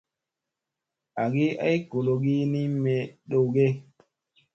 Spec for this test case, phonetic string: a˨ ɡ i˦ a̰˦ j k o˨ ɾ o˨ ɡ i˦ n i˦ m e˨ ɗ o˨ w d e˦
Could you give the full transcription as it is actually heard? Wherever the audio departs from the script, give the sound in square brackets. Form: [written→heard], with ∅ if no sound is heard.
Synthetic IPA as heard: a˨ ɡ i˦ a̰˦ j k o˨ [ɾ→l] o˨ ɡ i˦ n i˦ m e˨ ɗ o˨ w [d→ɡ] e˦